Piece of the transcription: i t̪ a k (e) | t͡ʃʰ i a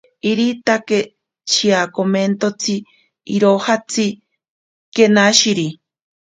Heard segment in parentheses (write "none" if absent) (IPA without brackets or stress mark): e